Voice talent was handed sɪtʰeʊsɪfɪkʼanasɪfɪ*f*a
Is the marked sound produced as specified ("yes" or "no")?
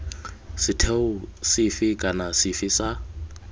no